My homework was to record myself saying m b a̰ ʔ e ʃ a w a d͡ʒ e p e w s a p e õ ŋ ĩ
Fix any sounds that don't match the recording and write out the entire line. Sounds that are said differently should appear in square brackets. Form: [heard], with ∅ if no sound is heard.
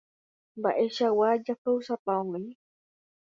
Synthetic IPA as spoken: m b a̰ ʔ e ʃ a w a d͡ʒ [a] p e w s a p [a] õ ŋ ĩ

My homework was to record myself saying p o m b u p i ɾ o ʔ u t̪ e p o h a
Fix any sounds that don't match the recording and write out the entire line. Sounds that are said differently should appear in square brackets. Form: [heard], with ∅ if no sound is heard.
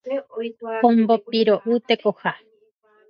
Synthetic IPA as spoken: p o m b [o] p i ɾ o ʔ u t̪ e [k] o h a

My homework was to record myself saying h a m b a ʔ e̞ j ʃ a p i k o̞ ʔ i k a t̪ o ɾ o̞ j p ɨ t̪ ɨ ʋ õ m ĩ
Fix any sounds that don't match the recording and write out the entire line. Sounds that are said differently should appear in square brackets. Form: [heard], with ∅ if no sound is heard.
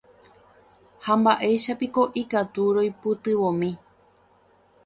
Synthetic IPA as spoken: h a m b a ʔ e̞ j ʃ a p i k o̞ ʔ i k a t̪ [u] ɾ o̞ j p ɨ t̪ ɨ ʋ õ m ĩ

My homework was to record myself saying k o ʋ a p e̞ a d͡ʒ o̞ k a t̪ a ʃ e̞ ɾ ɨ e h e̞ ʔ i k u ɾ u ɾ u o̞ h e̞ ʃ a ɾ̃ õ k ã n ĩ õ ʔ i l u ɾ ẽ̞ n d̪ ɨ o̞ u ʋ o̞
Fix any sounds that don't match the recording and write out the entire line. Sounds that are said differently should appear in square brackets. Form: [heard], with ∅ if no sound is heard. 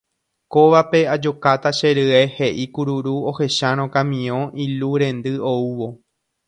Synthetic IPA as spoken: k o ʋ a p e̞ a d͡ʒ o̞ k a t̪ a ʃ e̞ ɾ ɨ e h e̞ ʔ i k u ɾ u ɾ u o̞ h e̞ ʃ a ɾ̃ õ k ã [m] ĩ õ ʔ i l u ɾ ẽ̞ n d̪ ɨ o̞ u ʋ o̞

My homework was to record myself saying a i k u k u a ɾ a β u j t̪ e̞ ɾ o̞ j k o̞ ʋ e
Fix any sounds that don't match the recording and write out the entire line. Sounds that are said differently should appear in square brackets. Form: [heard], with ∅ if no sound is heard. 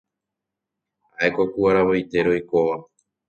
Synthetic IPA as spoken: a [e] k [o] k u a ɾ a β [o] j t̪ e̞ ɾ o̞ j k o̞ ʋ [a]

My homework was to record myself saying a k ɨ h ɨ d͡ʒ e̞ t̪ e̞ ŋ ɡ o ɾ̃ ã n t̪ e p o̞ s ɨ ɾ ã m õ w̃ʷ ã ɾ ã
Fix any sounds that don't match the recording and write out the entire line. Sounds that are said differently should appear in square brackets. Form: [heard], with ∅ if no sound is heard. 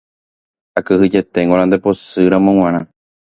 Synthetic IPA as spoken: a k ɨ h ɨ d͡ʒ e̞ t̪ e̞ ŋ ɡ o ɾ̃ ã n [d̪] e p o̞ s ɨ ɾ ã m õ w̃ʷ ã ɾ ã

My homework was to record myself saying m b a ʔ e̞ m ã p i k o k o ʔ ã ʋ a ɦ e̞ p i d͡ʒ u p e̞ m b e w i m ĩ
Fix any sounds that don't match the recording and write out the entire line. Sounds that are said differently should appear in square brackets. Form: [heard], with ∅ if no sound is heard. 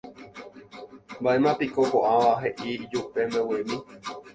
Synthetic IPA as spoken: m b a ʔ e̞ m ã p i k o k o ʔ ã ʋ a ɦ e̞ [ʔ] i d͡ʒ u p e̞ m b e w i m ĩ

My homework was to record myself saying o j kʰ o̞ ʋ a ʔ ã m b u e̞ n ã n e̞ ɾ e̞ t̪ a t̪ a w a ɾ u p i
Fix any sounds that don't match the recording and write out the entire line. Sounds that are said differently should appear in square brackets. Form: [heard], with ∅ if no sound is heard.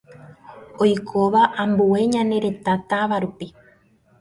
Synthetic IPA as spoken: o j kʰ o̞ ʋ a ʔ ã m b u e̞ [ɲ] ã n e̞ ɾ e̞ t̪ a t̪ a [ʋ] a ɾ u p i

